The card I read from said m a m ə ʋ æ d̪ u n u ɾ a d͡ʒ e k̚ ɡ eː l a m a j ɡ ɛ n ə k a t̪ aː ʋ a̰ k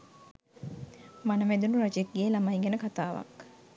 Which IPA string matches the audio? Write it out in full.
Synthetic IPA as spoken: m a n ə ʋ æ d̪ u n u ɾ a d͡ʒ e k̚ ɡ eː l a m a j ɡ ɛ n ə k a t̪ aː ʋ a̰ k